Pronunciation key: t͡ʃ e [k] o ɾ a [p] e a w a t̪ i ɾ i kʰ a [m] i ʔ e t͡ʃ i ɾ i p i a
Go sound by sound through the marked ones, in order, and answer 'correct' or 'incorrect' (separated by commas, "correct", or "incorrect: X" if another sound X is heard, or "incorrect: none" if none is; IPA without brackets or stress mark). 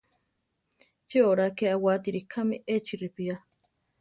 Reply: incorrect: none, incorrect: k, correct